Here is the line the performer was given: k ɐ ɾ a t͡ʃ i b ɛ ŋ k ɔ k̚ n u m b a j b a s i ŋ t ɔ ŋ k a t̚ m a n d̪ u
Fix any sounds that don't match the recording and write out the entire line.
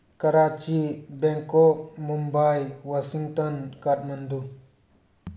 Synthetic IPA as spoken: k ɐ ɾ a t͡ʃ i b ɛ ŋ k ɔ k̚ m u m b a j w a s i ŋ t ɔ n k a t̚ m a n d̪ u